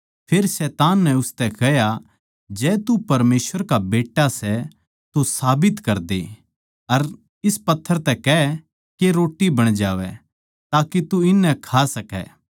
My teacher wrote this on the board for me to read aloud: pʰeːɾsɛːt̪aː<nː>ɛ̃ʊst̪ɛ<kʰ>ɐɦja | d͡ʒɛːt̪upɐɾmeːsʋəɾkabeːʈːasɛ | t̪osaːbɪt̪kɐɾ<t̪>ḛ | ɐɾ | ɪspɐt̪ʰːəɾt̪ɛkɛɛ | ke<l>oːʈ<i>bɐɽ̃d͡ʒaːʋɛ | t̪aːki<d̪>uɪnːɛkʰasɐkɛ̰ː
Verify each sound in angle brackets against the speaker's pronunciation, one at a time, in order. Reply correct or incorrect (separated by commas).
correct, incorrect, incorrect, incorrect, correct, incorrect